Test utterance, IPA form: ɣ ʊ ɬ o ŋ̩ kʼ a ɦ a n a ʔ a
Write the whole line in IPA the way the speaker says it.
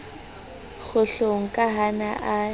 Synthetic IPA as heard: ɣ ʊ ɬ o ŋ̩ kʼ a ɦ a n a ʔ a